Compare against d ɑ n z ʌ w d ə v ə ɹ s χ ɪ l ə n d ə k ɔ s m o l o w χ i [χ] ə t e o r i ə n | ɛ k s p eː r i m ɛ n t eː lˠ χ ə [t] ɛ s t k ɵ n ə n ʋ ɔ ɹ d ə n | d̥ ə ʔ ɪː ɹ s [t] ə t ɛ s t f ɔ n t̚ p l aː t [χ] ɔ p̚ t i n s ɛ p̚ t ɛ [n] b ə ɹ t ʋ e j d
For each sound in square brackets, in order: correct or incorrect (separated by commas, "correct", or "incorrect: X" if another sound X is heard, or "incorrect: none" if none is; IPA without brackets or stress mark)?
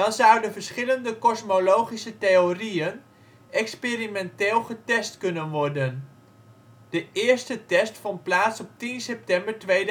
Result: incorrect: s, correct, correct, incorrect: s, incorrect: m